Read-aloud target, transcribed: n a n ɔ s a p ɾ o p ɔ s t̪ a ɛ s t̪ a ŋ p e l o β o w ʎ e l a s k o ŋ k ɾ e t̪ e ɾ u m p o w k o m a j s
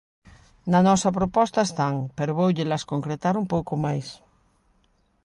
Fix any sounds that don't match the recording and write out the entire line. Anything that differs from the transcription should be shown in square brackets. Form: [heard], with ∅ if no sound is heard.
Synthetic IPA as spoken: n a n ɔ s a p ɾ o p ɔ s t̪ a [e] s t̪ a ŋ p e [ɾ] o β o w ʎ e l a s k o ŋ k ɾ e t̪ [a] ɾ u m p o w k o m a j s